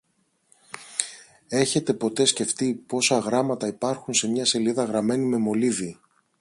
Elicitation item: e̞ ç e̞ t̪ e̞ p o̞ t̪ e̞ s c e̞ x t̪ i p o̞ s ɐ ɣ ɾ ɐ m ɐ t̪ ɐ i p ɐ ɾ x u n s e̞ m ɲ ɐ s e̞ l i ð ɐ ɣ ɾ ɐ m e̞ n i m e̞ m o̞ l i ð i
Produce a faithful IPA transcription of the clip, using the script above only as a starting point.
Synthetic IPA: e̞ ç e̞ t̪ e̞ p o̞ t̪ e̞ s c e̞ f t̪ i p o̞ s ɐ ɣ ɾ ɐ m ɐ t̪ ɐ i p ɐ ɾ x u n s e̞ m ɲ ɐ s e̞ l i ð ɐ ɣ ɾ ɐ m e̞ n i m e̞ m o̞ l i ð i